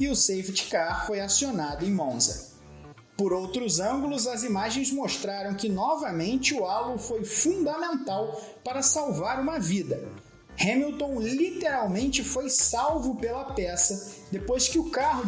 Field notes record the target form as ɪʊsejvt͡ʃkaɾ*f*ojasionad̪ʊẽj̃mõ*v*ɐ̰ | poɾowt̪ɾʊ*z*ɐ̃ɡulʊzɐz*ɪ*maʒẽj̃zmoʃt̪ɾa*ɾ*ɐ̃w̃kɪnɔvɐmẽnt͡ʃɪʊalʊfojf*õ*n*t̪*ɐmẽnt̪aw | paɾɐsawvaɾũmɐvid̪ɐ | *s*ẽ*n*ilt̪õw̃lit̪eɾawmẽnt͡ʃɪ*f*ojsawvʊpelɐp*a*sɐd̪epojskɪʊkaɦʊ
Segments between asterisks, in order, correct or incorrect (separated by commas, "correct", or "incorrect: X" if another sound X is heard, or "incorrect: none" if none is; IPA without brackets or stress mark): correct, incorrect: z, correct, incorrect: i, correct, incorrect: ũ, incorrect: d̪, incorrect: h, incorrect: m, correct, incorrect: ɛ